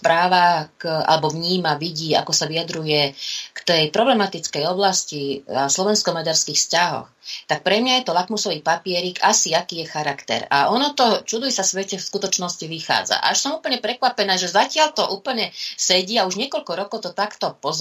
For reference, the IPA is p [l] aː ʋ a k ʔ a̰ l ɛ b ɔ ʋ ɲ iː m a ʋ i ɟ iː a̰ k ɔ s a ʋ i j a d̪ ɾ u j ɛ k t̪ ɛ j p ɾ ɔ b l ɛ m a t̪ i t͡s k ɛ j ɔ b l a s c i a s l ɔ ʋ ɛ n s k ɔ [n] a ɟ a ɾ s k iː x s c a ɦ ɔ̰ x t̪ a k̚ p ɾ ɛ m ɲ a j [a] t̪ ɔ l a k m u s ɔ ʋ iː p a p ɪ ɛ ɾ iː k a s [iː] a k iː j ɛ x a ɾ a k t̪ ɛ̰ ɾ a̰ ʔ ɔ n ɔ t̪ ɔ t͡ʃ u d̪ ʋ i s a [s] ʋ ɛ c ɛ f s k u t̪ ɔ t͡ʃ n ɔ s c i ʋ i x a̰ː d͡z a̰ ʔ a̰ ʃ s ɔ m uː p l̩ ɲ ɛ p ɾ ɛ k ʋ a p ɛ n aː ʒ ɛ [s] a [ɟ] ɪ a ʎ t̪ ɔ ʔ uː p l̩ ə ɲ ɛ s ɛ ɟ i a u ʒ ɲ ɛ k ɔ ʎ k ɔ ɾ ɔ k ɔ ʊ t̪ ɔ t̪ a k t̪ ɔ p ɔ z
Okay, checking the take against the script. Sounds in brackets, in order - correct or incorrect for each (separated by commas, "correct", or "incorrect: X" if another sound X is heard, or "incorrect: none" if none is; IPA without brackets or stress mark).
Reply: incorrect: ɾ, incorrect: m, incorrect: ɛ, incorrect: i, correct, incorrect: z, incorrect: c